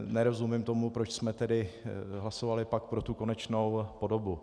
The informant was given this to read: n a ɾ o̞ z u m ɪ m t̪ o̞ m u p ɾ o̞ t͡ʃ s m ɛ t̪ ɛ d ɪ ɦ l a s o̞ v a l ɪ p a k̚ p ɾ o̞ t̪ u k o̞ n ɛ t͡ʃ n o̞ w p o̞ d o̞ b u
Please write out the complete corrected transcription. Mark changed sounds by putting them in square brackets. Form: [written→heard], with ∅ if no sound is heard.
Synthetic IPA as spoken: n [a→ɛ] ɾ o̞ z u m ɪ m t̪ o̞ m u p ɾ o̞ t͡ʃ s m ɛ t̪ ɛ d ɪ ɦ l a s o̞ v a l ɪ p a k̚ p ɾ o̞ t̪ u k o̞ n ɛ t͡ʃ n o̞ w p o̞ d o̞ b u